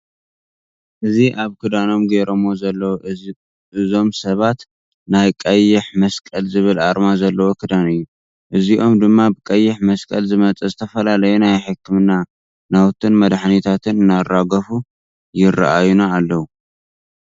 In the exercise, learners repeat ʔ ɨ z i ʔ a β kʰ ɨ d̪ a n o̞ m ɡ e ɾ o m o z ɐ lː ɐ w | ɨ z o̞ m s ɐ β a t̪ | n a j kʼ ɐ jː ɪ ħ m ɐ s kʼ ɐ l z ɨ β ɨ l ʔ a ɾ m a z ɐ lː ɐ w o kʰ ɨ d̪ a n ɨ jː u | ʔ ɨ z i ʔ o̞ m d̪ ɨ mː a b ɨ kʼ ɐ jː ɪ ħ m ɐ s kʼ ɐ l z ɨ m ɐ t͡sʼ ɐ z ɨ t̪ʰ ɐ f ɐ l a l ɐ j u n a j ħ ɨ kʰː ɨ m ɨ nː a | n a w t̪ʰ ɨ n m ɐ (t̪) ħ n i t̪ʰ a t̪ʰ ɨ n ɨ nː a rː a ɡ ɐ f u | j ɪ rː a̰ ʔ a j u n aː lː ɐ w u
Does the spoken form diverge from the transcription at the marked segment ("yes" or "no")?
yes